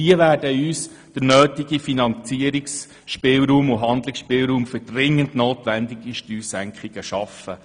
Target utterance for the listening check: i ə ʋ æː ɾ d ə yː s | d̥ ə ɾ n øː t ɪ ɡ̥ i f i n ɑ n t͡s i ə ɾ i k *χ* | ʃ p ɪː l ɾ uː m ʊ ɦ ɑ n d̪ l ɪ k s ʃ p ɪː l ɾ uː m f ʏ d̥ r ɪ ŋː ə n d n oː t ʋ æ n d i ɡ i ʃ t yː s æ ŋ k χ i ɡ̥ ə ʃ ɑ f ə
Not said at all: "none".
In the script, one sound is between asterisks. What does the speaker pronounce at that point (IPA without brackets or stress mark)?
s